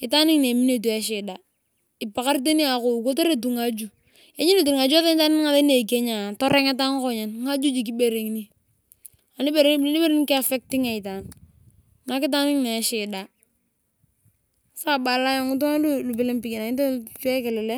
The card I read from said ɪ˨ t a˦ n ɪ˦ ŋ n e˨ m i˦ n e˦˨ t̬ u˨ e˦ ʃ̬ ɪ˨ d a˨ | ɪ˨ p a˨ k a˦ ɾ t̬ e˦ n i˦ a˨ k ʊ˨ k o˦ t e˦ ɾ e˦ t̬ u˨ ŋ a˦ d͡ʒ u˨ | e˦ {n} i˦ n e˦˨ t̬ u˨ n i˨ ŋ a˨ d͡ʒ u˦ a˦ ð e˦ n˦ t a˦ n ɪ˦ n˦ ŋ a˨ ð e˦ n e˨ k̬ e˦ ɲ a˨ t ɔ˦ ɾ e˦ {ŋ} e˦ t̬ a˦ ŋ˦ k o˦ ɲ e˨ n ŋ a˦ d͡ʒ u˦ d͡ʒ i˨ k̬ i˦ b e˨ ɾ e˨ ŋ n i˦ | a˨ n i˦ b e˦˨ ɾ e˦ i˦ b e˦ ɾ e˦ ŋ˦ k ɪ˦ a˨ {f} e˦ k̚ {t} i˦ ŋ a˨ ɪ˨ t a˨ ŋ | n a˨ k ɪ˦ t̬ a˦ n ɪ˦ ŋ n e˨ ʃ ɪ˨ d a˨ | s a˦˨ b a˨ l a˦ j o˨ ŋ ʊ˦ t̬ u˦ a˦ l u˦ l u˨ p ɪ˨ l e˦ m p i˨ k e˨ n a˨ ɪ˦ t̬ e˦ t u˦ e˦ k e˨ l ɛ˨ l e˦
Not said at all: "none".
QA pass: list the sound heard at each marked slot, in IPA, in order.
ɲ, ŋ, f, t

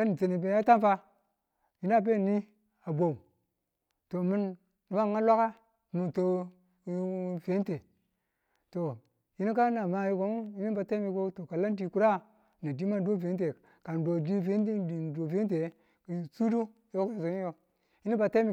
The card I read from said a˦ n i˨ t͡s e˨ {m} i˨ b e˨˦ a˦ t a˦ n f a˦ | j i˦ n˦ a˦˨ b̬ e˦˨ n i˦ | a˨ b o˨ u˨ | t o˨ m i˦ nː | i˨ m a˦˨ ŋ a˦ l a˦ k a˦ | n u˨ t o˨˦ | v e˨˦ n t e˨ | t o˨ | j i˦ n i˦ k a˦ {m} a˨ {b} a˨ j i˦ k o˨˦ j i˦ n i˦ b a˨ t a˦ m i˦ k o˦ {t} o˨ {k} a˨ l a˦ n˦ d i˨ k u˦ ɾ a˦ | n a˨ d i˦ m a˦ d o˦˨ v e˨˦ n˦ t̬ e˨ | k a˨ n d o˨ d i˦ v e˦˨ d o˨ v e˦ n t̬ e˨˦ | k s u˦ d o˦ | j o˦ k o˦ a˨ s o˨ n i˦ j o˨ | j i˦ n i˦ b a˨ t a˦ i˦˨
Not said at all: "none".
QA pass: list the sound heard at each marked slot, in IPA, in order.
n, n, m, t, k

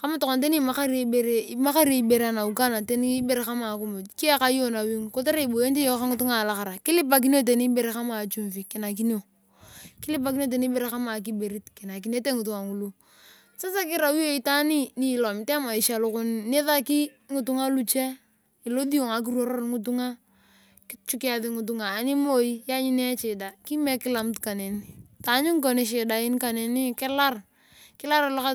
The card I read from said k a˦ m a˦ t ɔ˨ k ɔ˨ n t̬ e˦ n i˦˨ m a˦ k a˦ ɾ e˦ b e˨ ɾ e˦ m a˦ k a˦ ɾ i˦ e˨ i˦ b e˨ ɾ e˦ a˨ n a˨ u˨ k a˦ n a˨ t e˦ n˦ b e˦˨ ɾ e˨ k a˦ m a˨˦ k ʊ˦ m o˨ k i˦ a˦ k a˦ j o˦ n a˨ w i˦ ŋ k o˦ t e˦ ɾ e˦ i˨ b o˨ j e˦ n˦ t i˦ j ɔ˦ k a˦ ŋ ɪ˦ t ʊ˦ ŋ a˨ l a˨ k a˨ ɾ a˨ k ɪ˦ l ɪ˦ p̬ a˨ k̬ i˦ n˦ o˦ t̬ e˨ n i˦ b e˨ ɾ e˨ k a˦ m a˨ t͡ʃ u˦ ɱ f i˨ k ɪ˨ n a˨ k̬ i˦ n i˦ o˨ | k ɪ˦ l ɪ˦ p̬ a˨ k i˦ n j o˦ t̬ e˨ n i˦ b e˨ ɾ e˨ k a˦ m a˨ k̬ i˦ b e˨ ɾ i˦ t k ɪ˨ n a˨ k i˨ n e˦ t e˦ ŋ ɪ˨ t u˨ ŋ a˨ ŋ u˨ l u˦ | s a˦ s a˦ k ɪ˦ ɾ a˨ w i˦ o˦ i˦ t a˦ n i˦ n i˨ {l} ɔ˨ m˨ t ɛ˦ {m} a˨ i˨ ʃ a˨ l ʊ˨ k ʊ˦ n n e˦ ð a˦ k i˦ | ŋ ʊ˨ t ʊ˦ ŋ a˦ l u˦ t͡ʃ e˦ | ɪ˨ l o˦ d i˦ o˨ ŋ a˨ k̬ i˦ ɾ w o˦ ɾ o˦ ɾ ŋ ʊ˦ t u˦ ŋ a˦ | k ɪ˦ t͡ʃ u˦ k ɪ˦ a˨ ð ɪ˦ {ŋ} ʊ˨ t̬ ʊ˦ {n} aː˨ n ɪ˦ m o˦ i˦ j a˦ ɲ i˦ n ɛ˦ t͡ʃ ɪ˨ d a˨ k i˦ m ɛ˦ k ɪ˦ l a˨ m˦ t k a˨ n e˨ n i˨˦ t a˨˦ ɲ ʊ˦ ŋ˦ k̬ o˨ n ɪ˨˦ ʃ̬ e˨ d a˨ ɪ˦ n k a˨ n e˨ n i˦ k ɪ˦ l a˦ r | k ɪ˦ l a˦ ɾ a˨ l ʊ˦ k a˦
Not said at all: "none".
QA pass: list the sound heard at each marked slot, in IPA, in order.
l, m, ŋ, ŋ

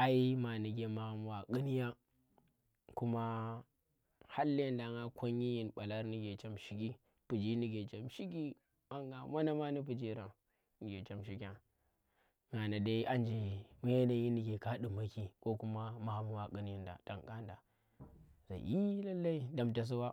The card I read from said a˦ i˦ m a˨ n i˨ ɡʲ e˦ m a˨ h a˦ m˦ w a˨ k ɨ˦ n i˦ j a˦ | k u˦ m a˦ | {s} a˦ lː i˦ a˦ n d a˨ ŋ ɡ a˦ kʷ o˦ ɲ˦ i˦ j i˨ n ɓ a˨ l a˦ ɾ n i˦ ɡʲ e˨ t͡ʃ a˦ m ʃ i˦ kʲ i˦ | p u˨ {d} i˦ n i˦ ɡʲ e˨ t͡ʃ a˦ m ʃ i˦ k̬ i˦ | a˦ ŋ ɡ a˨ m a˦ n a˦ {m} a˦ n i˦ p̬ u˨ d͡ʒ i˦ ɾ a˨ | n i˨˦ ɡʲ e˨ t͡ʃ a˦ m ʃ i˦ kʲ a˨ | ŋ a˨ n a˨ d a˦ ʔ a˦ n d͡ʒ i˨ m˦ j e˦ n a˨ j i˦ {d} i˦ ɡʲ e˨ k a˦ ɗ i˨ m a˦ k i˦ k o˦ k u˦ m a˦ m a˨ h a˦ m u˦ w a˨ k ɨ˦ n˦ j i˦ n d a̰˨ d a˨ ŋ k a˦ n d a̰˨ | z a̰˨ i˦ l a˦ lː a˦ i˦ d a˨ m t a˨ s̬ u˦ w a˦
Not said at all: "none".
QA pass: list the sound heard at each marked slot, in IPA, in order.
h, d͡ʒ, m, n

